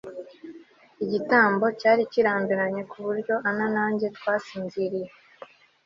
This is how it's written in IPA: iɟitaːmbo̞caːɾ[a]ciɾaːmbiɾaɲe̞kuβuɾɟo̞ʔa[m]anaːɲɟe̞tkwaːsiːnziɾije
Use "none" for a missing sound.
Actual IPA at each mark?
i, n

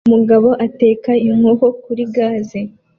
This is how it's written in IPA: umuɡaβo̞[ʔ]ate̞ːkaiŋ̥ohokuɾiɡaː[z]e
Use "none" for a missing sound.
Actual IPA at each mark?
ʔ, z

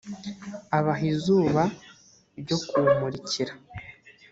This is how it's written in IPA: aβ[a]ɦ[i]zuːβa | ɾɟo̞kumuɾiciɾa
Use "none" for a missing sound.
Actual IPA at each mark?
a, i

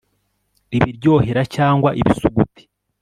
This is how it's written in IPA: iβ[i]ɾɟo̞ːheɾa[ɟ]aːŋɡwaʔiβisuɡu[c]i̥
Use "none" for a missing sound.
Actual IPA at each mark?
i, c, t

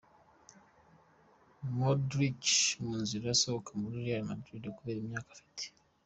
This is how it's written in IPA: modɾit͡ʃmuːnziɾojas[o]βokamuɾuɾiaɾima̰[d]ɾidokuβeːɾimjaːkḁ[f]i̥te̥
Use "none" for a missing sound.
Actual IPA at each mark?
o, d, f

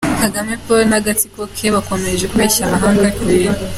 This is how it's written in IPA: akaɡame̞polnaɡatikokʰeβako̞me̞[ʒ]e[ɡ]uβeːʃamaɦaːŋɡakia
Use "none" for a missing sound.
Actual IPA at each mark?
ʒ, k

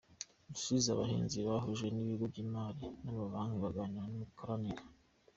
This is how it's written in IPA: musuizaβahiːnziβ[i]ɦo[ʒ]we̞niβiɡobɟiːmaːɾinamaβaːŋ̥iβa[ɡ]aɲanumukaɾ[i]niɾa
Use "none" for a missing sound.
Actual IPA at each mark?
a, ʒ, ɡ, a

